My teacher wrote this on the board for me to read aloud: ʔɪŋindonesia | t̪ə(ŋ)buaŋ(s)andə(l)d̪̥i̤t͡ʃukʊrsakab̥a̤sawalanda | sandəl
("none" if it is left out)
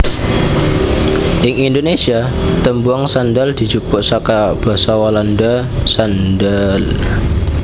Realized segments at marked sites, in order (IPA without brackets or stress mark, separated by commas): m, s, l